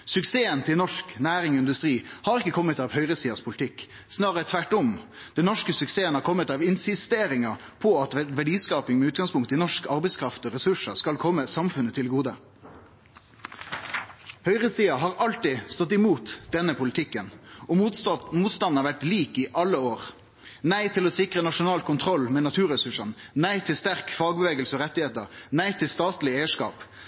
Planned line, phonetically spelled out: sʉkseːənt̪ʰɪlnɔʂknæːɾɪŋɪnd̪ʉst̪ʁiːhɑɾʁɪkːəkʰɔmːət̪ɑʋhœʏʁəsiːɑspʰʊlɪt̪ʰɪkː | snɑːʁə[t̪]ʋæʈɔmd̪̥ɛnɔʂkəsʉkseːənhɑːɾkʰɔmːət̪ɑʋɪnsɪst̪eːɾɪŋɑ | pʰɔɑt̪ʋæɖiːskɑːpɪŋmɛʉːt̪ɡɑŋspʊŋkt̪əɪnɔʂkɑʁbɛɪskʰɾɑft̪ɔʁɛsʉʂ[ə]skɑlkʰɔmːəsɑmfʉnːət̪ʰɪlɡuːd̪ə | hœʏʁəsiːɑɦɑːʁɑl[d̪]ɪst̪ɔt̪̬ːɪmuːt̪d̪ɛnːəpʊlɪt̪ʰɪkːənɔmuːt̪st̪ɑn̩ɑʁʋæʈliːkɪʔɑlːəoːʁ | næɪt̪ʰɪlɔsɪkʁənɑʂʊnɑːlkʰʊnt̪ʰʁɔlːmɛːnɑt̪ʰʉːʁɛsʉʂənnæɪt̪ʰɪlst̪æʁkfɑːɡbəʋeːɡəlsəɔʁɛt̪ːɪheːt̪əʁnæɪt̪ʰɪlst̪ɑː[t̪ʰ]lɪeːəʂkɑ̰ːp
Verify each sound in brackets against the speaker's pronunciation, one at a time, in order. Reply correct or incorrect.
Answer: incorrect: t̪ʰ, correct, incorrect: t̪, incorrect: t̪

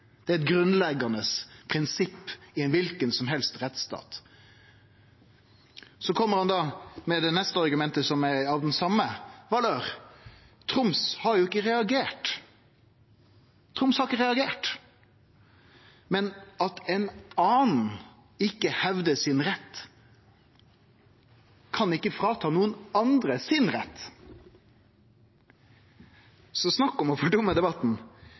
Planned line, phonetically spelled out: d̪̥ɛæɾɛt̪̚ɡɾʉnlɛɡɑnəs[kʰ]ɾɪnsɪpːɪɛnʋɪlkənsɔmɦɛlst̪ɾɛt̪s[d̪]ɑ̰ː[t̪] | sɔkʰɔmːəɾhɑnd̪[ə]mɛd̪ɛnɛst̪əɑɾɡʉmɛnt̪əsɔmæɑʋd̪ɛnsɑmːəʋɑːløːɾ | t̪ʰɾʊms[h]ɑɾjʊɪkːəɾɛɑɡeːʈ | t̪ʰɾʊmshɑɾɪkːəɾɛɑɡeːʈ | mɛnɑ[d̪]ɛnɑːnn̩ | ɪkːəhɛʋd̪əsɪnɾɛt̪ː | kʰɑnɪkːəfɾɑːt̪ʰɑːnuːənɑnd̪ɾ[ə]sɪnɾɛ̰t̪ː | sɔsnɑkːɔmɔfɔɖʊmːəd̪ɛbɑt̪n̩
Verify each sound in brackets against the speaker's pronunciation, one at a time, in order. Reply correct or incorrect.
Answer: incorrect: pʰ, incorrect: t̪, correct, incorrect: ɑ, correct, incorrect: t̪, correct

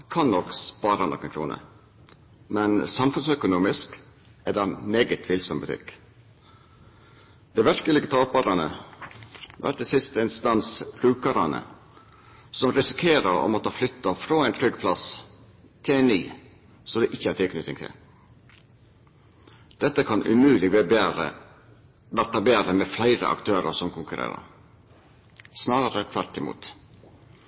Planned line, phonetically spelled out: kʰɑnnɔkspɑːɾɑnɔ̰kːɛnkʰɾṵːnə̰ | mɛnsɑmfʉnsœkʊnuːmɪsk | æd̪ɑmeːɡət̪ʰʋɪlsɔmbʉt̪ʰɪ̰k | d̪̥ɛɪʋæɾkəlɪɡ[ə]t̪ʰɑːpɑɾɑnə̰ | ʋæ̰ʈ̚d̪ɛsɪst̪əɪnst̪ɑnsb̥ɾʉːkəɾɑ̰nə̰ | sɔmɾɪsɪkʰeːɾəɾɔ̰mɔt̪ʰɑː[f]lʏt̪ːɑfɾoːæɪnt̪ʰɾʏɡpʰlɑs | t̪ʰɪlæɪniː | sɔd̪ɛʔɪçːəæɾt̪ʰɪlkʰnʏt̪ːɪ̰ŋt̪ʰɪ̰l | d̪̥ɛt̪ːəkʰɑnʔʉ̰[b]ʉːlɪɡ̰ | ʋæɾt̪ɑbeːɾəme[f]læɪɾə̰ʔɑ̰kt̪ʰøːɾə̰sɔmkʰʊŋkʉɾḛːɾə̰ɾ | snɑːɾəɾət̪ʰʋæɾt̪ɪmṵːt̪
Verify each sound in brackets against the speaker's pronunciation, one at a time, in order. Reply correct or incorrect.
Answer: correct, correct, incorrect: m, correct

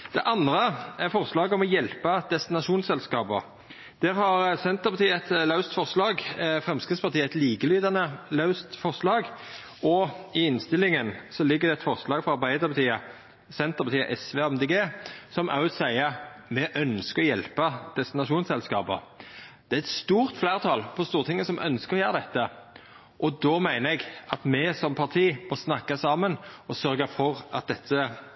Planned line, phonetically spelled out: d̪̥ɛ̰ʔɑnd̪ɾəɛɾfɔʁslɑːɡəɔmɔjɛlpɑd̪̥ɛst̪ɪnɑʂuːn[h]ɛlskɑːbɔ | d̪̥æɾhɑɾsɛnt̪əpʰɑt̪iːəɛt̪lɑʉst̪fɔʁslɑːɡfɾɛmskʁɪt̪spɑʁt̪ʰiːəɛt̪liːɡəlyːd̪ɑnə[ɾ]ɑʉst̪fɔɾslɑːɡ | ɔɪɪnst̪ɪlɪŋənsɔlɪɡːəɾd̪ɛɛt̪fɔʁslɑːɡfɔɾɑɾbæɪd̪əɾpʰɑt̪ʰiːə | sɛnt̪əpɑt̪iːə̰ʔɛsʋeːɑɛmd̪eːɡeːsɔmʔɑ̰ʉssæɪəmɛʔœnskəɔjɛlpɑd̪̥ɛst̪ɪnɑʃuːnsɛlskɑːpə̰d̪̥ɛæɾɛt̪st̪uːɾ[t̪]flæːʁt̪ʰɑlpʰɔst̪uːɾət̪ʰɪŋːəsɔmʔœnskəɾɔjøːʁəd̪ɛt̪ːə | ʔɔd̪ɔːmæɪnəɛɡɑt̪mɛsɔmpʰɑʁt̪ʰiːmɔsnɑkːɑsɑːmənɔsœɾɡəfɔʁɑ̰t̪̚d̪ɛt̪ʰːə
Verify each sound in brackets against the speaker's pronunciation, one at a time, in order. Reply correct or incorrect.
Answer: incorrect: s, incorrect: l, correct

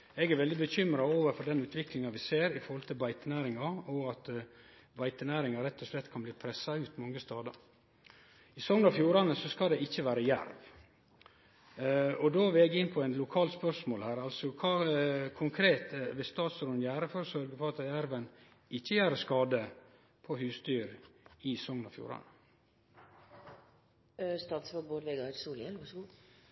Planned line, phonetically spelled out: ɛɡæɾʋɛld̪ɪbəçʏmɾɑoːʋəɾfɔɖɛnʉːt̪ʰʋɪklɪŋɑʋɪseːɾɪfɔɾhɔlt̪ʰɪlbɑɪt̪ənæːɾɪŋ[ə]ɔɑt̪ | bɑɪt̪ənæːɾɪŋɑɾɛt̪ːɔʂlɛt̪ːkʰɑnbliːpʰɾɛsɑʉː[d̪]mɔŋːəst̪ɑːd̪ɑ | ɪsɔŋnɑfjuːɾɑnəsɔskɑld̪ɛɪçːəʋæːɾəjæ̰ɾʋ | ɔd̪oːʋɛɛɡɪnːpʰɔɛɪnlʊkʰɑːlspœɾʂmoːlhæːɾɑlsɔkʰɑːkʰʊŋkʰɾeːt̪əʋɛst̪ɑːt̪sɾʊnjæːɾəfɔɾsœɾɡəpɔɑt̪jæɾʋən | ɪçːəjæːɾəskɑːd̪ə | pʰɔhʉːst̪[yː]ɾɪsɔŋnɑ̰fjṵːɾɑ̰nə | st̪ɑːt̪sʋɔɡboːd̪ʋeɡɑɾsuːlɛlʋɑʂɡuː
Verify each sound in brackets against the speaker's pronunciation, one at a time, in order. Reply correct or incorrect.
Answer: incorrect: ɑ, incorrect: t̪, correct

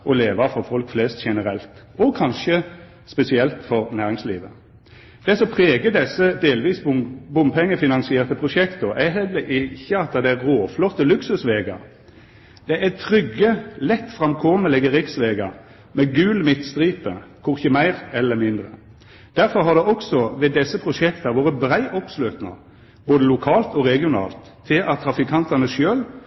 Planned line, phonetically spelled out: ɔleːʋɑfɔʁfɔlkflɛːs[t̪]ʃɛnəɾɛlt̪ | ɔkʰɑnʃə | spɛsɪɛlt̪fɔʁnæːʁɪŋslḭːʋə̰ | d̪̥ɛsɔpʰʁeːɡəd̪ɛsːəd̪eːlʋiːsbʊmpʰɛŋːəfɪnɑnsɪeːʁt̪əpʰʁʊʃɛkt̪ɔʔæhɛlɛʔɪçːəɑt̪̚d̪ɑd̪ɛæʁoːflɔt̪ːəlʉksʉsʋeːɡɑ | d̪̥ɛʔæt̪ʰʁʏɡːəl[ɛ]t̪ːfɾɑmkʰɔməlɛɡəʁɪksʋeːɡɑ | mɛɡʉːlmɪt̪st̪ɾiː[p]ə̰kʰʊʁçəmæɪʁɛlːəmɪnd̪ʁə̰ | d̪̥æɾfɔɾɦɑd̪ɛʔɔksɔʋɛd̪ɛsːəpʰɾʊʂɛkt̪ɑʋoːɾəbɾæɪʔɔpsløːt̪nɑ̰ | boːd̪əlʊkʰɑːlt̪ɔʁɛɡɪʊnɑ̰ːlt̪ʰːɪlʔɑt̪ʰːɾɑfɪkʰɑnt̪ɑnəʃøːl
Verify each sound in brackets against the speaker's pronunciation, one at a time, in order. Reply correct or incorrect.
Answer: correct, correct, correct

